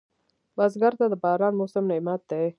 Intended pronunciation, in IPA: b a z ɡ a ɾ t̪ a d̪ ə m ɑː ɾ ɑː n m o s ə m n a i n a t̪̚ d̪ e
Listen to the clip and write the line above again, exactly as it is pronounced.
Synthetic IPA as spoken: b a z ɡ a ɾ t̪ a d̪ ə b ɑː ɾ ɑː n m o s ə m n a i m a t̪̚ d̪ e

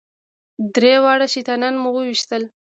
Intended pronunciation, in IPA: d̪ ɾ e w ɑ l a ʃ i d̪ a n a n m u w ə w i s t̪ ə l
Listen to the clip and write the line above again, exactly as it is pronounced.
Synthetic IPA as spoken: d̪ ɾ e w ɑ ɽ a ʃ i t̪ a n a n m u w ə w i ʃ t̪ ə l

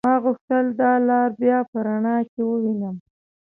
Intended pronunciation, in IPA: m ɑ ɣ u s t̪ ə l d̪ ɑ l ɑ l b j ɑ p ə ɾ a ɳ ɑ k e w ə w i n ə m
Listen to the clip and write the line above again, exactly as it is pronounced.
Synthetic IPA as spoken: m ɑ ɣ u x t̪ ə l d̪ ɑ l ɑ ɾ b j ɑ p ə ɾ a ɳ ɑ k e w ə w i n ə m

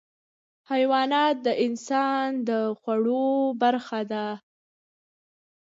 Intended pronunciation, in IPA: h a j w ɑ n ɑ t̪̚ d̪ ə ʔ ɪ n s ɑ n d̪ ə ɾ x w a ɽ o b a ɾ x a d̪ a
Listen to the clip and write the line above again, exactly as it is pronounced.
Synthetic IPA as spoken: h a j w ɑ n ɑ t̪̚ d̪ ə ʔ ɪ n s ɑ n d̪ ə x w a ɽ o b a ɾ x a d̪ a

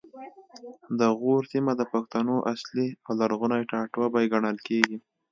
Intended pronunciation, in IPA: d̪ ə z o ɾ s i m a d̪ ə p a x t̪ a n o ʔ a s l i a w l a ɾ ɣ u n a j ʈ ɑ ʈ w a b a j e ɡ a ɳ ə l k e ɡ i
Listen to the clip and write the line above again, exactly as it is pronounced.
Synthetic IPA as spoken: d̪ ə ɣ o ɾ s i m a d̪ ə p a x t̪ a n o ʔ a s l i a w l a ɾ ɣ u n a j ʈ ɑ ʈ w a b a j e ɡ a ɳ ə l k e ɡ i

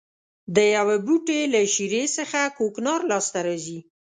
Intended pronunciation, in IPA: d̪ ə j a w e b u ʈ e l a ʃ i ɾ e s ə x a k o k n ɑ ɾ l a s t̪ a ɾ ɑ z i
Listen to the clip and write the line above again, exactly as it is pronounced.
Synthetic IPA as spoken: d̪ ə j a w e b u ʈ e l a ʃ i ɾ e s ə x a k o k n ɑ ɾ l ɑ s t̪ a ɾ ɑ z i

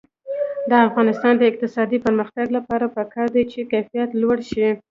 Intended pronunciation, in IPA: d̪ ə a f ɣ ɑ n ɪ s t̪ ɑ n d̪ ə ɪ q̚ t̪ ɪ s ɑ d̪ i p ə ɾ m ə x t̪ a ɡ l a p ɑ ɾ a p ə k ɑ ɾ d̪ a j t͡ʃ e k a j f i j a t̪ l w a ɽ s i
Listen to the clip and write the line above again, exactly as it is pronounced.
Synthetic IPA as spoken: d̪ ə a f ɣ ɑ n ɪ s t̪ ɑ n d̪ ə ɪ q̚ t̪ ɪ s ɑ d̪ i p ə ɾ m ə x t̪ a ɡ l a p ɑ ɾ a p ə k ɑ ɾ d̪ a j t͡ʃ e k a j f i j a t̪ l w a ɽ ʃ i

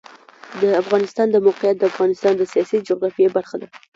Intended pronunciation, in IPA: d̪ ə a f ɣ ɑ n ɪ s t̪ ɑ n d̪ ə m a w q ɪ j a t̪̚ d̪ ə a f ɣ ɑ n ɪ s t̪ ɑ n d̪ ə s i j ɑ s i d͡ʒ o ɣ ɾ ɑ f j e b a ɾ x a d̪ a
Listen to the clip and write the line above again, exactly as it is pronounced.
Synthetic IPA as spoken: d̪ ə a f ɣ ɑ n ɪ s t̪ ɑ n d̪ ə m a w q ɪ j a t̪̚ d̪ ə a f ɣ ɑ n ɪ s t̪ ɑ n d̪ ə s i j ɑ s i d͡ʒ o ɣ ɾ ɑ f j e b a ɾ x a d̪ a

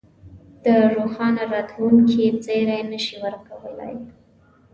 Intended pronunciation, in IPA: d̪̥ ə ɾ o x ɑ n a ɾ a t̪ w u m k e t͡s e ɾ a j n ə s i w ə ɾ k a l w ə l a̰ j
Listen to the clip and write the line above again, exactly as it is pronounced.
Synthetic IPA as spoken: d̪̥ ə ɾ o x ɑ n a ɾ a t̪ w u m k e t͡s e ɾ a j n ə ʃ i w ə ɾ k a w ə l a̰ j

